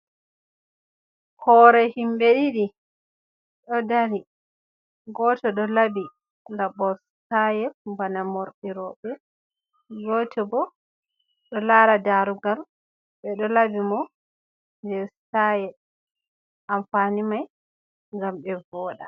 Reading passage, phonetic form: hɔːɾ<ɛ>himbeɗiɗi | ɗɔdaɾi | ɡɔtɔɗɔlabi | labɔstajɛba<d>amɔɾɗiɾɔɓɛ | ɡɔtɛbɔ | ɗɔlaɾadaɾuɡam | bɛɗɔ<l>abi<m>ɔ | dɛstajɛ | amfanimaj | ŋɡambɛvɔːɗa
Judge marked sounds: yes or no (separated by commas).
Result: yes, no, yes, yes